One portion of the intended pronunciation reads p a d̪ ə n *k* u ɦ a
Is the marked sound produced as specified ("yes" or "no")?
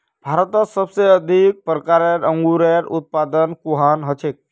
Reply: yes